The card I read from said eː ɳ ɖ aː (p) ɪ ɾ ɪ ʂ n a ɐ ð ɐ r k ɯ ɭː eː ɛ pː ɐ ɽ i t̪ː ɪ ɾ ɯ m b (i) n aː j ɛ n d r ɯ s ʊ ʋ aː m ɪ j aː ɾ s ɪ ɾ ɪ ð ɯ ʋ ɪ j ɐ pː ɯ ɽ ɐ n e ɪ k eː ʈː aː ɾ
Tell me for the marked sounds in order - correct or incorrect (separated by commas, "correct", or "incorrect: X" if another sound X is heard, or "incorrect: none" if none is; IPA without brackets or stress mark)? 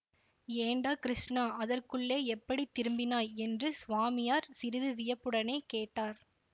incorrect: k, incorrect: ɪ